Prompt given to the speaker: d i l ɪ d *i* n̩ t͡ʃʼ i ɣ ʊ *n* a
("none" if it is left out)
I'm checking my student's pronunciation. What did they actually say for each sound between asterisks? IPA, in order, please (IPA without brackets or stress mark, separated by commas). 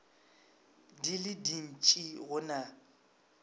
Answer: i, n